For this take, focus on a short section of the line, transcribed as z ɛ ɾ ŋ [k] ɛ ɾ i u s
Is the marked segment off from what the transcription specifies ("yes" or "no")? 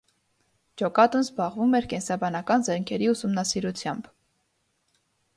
yes